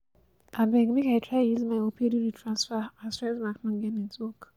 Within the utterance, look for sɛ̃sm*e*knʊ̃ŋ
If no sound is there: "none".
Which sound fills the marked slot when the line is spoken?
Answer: a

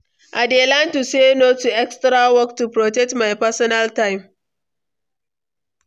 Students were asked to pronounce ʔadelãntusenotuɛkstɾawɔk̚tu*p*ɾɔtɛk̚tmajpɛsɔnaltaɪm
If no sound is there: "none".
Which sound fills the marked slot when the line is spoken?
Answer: p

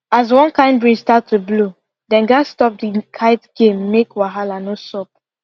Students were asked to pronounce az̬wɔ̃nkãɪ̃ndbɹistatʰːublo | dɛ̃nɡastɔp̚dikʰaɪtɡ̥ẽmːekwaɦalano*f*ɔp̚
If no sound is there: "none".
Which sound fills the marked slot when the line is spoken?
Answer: s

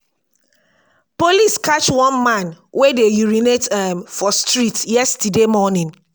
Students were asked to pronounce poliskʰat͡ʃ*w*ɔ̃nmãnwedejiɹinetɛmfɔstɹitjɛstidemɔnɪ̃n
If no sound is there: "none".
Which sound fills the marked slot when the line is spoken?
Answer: w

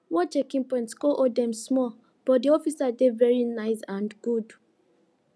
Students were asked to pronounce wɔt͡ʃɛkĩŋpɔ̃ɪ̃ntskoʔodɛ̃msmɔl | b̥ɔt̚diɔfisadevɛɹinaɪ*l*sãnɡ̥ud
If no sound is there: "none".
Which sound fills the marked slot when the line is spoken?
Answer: none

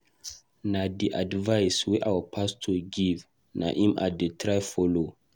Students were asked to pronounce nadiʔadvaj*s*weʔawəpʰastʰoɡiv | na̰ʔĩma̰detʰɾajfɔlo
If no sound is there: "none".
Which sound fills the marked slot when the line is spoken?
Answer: s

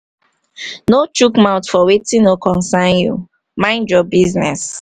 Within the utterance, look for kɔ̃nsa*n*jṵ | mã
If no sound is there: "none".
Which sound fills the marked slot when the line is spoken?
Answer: n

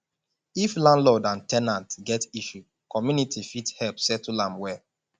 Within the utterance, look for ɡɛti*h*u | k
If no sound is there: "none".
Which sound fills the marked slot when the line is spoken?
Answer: ʃ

